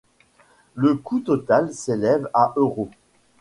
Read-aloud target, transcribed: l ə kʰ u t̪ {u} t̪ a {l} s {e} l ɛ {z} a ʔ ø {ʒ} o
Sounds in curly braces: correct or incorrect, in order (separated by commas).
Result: incorrect, correct, correct, incorrect, incorrect